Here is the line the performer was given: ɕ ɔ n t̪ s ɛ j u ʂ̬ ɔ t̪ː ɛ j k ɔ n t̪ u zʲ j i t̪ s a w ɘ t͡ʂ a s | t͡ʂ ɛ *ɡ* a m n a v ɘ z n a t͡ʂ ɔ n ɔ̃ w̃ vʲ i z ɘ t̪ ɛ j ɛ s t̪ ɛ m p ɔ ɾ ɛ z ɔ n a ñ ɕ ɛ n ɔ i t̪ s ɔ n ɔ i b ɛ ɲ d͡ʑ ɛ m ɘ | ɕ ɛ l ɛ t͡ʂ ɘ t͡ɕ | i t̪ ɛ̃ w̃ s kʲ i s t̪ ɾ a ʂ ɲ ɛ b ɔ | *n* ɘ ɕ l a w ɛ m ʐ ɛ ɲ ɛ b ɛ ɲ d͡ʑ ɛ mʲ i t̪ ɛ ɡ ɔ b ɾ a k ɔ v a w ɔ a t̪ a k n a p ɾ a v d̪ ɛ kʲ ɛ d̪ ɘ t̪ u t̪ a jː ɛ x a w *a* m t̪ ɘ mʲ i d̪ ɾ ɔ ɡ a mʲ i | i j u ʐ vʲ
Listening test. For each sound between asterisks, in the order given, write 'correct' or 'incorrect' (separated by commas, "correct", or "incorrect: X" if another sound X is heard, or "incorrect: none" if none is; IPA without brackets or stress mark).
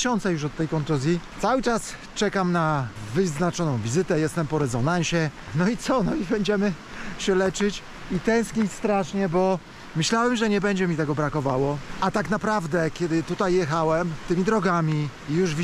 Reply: incorrect: k, incorrect: m, incorrect: ɛ